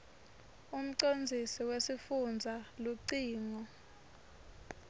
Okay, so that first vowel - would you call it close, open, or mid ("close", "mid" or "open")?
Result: close